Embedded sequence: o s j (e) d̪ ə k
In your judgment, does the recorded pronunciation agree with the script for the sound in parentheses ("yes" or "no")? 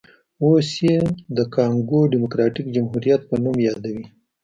yes